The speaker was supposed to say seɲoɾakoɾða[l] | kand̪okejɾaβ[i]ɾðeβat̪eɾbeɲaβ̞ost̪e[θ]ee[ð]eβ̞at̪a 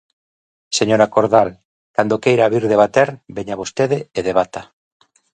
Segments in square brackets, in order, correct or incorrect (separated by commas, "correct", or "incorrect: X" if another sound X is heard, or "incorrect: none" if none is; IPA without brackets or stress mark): correct, correct, incorrect: ð, correct